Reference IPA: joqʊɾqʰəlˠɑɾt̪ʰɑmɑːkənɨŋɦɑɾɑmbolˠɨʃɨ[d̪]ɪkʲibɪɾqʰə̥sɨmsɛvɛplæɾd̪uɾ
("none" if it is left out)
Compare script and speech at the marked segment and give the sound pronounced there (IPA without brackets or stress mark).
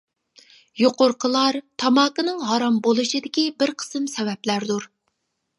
d̪